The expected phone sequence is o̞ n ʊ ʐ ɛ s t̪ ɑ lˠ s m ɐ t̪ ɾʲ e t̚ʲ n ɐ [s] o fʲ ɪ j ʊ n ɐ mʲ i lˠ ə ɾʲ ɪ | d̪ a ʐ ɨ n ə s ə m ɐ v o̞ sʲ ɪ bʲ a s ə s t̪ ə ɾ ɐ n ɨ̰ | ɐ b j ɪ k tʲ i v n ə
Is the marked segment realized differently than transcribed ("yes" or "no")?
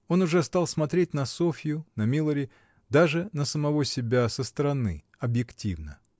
no